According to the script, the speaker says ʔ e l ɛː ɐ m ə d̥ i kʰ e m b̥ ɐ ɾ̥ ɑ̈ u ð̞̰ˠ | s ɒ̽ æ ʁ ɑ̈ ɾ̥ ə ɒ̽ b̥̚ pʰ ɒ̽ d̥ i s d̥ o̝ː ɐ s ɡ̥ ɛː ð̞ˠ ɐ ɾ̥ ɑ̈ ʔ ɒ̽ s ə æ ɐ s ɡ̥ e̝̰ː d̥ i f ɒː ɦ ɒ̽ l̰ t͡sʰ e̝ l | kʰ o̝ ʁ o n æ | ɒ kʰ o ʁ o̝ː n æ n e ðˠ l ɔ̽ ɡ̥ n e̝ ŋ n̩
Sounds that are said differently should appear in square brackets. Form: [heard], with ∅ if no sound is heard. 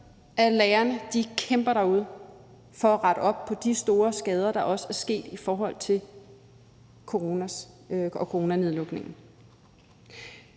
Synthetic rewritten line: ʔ [æ] l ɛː ɐ [n] ə d̥ i kʰ e m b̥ ɐ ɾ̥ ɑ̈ u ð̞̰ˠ | [f] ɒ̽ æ ʁ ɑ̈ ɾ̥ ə ɒ̽ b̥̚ pʰ ɒ̽ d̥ i s d̥ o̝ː ɐ s ɡ̥ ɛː ð̞ˠ ɐ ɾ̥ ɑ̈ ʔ ɒ̽ s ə æ ɐ s ɡ̥ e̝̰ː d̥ i f ɒː ɦ ɒ̽ l̰ t͡sʰ e̝ l | kʰ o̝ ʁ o n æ | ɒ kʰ o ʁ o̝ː n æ n e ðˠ l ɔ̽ ɡ̥ n e̝ ŋ n̩